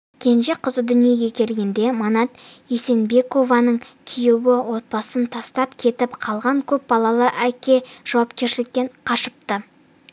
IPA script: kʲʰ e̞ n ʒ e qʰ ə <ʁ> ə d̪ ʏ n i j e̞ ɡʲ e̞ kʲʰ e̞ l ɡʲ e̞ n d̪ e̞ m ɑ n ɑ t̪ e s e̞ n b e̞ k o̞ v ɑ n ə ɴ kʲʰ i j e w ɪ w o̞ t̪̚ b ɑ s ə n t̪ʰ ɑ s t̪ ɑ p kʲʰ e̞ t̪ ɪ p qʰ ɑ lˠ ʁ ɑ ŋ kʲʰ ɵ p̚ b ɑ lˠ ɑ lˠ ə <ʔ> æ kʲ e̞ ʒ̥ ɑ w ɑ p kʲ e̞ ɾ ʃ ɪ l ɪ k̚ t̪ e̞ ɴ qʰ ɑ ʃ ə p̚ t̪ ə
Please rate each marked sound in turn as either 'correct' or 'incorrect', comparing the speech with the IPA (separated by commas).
incorrect, correct